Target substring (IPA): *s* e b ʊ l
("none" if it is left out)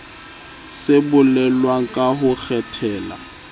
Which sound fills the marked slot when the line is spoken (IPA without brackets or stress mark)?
s